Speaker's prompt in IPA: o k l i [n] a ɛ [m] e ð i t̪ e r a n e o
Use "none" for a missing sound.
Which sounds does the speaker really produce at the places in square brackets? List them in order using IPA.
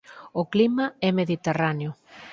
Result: m, m

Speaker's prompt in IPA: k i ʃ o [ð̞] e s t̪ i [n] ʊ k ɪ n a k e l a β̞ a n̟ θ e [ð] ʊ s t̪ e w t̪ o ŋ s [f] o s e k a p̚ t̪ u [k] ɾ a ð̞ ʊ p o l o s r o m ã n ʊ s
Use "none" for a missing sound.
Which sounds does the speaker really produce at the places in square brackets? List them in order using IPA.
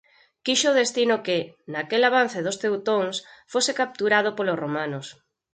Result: ð̞, n, ð, f, none

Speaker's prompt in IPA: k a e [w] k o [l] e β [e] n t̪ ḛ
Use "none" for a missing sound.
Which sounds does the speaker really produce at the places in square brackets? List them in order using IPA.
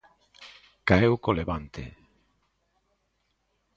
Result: w, l, a

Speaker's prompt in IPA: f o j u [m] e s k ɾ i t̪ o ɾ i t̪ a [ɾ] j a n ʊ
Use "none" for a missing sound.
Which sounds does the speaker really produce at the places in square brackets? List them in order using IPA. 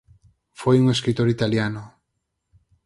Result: ŋ, l

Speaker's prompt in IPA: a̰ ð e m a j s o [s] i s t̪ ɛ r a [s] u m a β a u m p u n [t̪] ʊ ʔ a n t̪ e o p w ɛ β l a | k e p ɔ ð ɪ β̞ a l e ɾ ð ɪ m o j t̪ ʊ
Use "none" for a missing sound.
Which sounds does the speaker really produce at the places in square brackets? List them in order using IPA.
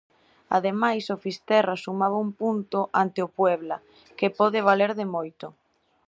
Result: f, s, t̪

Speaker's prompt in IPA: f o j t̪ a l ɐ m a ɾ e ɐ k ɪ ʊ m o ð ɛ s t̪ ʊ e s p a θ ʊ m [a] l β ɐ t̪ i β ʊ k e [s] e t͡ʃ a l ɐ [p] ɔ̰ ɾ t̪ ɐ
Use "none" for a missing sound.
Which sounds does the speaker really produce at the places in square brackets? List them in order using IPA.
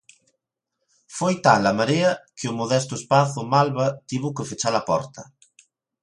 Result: a, f, p

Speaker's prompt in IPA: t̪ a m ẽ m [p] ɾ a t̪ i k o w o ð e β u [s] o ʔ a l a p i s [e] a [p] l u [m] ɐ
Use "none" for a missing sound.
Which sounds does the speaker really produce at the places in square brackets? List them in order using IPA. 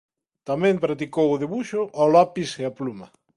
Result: p, ʃ, e, p, m

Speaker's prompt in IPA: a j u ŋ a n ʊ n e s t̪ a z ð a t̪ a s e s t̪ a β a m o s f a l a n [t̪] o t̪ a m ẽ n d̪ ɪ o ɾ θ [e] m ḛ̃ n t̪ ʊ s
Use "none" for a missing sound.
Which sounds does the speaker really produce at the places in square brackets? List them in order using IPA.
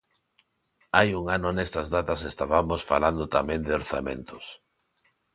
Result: d̪, a

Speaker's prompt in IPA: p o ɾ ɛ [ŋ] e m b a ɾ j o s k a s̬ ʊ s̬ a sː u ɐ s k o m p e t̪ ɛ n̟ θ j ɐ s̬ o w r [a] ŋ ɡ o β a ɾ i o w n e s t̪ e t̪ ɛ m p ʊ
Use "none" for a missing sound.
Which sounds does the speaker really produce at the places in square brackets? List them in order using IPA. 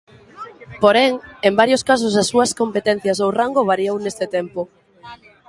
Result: ŋ, a

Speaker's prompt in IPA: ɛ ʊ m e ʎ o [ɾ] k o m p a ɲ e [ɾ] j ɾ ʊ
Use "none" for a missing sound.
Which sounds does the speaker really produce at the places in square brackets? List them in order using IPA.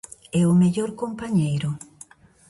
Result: ɾ, none

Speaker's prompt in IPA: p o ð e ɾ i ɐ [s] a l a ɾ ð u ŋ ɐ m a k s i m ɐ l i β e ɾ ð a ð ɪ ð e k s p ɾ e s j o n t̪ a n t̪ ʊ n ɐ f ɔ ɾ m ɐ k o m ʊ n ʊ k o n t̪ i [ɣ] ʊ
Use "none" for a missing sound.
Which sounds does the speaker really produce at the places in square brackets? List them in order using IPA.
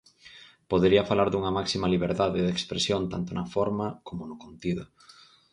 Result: f, ð

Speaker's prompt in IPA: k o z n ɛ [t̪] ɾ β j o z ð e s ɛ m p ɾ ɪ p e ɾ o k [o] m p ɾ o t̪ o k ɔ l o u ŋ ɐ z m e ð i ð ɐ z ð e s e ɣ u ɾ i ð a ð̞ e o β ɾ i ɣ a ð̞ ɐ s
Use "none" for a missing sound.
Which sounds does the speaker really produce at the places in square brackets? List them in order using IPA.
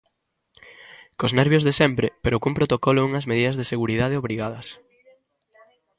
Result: none, u

